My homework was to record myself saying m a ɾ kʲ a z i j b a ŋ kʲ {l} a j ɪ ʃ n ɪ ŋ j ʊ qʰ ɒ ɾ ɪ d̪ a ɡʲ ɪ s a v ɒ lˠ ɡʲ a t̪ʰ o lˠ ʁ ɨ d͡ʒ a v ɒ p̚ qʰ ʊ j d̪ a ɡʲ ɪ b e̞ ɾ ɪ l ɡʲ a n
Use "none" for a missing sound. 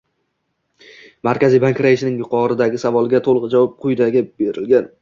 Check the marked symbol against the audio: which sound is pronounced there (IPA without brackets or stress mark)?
ɾ